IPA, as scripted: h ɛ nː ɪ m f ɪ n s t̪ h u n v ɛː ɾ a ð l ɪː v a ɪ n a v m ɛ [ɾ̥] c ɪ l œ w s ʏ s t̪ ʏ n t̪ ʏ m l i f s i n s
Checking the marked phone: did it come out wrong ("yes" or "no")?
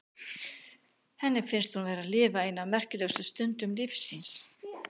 yes